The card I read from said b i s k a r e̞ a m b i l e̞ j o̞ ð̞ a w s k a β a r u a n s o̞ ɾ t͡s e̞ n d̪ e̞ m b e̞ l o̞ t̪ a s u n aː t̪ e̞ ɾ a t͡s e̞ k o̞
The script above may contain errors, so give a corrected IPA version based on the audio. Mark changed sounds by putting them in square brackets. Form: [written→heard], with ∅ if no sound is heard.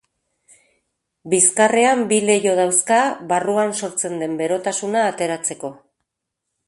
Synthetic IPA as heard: b i s k a r e̞ a m b i l e̞ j o̞ ð̞ a w s k a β a r u a n s o̞ ɾ t͡s e̞ n d̪ e̞ m b e̞ [l→ɾ] o̞ t̪ a s u n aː t̪ e̞ ɾ a t͡s e̞ k o̞

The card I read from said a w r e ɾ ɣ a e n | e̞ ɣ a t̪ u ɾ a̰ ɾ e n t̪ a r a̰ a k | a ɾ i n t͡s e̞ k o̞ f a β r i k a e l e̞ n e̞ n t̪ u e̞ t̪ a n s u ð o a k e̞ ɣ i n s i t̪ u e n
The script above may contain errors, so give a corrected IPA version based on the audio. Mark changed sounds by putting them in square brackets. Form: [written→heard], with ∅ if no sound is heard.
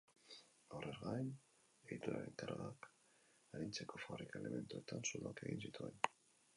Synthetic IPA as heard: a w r e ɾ ɣ a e n | e̞ ɣ [a→i] t̪ u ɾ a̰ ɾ e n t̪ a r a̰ a k | a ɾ i n t͡s e̞ k o̞ f a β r i k a e l e̞ [n→m] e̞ n t̪ u e̞ t̪ a n s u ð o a k e̞ ɣ i n s i t̪ u e n

